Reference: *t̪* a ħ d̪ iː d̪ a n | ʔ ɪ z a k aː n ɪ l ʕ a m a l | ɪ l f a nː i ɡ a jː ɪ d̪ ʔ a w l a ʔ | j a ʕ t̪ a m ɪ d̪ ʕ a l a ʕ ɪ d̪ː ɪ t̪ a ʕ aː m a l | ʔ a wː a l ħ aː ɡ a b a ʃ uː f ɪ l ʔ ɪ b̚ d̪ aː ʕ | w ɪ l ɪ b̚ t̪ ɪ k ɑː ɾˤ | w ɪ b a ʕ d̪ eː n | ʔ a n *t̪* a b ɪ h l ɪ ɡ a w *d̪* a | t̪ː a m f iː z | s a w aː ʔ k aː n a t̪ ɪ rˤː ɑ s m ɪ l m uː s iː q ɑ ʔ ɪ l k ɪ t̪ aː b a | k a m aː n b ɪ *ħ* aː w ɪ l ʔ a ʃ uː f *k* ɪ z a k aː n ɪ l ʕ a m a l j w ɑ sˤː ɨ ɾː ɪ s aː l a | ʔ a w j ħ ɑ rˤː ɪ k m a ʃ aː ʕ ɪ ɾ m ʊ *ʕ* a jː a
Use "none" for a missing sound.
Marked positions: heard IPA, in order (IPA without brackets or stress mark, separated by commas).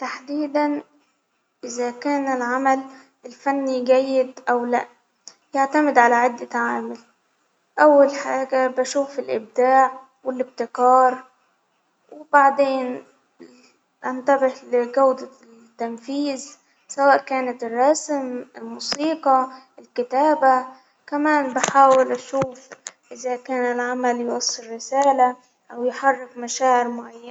t̪, t̪, d̪, ħ, ʔ, ʕ